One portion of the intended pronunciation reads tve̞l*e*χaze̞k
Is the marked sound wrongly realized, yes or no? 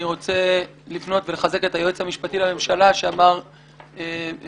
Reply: no